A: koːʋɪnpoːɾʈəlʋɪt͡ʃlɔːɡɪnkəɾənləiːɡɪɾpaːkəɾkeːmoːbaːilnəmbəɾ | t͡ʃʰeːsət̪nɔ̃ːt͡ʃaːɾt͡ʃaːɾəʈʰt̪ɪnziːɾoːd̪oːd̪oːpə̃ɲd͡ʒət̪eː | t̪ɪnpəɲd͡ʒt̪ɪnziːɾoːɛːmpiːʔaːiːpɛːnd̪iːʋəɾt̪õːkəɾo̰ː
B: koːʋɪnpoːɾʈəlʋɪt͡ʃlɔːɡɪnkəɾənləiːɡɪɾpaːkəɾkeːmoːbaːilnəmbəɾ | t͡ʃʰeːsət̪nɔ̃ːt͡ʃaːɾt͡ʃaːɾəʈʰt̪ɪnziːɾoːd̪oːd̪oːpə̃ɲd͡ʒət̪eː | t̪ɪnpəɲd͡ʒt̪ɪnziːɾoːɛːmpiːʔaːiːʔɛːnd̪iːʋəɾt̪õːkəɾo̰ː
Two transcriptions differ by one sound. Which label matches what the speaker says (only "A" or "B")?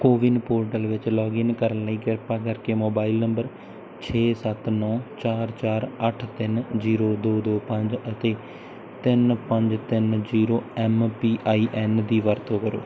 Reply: B